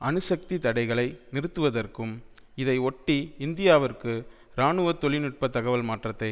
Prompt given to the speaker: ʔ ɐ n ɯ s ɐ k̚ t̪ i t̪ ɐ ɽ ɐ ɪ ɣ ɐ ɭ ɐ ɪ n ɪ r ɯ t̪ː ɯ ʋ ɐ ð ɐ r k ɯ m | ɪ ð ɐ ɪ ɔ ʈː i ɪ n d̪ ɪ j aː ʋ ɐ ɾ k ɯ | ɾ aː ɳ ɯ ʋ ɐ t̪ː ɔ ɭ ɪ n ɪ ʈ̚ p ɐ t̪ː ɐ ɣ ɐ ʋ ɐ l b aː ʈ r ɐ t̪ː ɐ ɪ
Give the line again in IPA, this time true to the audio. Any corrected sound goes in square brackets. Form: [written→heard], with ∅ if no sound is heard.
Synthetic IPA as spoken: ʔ ɐ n ɯ s ɐ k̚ t̪ i t̪ ɐ ɽ ɐ ɪ ɣ ɐ ɭ ɐ ɪ n ɪ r ɯ t̪ː ɯ ʋ ɐ ð ɐ r k ɯ m | ɪ ð ɐ ɪ ɔ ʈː i ɪ n d̪ ɪ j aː ʋ ɐ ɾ k ɯ | ɾ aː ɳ ɯ ʋ ɐ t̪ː ɔ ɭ ɪ n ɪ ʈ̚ p ɐ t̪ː ɐ ɣ ɐ ʋ ɐ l [b→m] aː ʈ r ɐ t̪ː ɐ ɪ